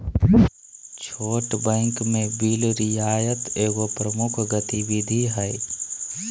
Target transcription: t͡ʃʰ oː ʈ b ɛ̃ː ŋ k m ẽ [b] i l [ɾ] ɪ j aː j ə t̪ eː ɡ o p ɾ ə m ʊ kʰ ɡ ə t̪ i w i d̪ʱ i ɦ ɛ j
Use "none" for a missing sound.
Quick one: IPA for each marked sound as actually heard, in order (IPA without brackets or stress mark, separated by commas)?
b, ɾ